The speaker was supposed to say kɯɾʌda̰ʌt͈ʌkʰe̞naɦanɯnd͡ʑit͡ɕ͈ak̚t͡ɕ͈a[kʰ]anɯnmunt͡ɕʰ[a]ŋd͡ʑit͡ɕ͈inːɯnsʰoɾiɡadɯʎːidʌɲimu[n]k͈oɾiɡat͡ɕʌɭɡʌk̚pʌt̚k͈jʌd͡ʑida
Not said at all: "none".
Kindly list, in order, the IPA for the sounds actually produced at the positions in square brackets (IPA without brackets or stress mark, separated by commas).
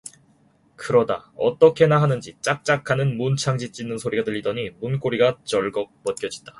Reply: kʰ, a, n